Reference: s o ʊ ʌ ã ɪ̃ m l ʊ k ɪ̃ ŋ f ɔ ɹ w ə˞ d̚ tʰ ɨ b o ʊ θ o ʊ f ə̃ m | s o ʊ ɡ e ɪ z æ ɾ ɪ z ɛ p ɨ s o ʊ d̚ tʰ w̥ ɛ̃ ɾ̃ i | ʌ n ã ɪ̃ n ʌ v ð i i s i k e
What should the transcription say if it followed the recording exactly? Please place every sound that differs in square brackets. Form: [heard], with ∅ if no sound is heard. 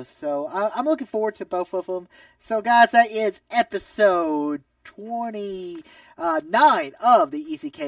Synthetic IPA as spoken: s o ʊ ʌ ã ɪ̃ m l ʊ k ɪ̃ ŋ f ɔ ɹ w ə˞ d̚ tʰ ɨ b o ʊ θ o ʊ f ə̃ m | s o ʊ ɡ [a] ɪ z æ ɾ ɪ z ɛ p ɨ s o ʊ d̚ tʰ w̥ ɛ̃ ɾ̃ i | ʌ n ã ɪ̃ n ʌ v ð i i s i [kʰ] e